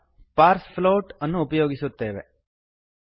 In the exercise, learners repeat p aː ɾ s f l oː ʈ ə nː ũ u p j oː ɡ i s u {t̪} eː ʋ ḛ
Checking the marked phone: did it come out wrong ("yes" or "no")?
no